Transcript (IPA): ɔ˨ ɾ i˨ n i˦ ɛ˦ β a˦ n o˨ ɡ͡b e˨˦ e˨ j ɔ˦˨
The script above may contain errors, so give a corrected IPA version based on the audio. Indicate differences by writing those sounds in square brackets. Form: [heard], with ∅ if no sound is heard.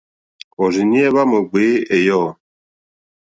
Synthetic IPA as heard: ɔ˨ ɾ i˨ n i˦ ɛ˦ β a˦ [m] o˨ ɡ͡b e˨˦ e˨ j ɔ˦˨